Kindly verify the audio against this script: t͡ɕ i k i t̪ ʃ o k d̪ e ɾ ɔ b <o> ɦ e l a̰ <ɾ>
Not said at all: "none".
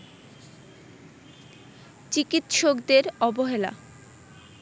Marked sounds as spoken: o, none

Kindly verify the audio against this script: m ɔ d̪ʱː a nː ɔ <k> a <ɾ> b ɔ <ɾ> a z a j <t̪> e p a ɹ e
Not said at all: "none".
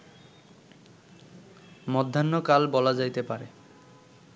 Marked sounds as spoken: k, l, l, t̪

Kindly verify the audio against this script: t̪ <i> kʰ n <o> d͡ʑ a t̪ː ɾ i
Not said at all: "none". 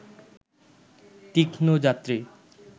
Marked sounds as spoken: i, o

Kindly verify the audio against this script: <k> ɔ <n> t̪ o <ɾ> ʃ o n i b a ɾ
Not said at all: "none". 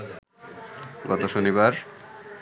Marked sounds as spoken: ɡ, none, none

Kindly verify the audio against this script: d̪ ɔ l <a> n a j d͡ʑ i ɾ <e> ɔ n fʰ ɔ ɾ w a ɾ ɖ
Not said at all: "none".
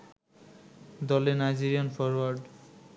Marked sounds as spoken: e, i

